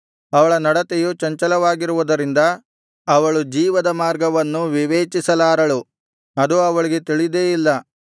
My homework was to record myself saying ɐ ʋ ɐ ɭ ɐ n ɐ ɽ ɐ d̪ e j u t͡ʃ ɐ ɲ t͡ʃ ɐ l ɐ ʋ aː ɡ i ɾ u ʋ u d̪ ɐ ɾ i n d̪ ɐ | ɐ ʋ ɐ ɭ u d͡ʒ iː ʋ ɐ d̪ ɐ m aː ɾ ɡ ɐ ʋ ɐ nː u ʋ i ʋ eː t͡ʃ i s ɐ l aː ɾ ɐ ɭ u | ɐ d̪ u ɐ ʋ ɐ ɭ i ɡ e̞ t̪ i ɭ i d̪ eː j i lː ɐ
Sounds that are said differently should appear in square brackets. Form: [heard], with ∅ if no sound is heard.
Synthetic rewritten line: ɐ ʋ ɐ ɭ ɐ n ɐ ɽ ɐ [t̪] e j u t͡ʃ ɐ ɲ t͡ʃ ɐ l ɐ ʋ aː ɡ i ɾ u ʋ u d̪ ɐ ɾ i n d̪ ɐ | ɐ ʋ ɐ ɭ u d͡ʒ iː ʋ ɐ d̪ ɐ m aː ɾ ɡ ɐ ʋ ɐ nː u ʋ i ʋ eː t͡ʃ i s ɐ l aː ɾ ɐ ɭ u | ɐ d̪ u ɐ ʋ ɐ ɭ i ɡ e̞ t̪ i ɭ i d̪ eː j i lː ɐ